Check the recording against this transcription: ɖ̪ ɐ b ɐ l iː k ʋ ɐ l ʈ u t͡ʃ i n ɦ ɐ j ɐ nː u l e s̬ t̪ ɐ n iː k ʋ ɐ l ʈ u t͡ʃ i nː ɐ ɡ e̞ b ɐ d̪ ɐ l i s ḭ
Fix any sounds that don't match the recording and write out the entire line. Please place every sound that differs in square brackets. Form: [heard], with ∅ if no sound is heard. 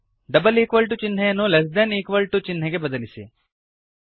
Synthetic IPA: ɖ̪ ɐ b ɐ l iː k ʋ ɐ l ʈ u t͡ʃ i n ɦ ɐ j ɐ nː u l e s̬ [d̪] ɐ n iː k ʋ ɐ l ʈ u t͡ʃ i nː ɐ ɡ e̞ b ɐ d̪ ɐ l i s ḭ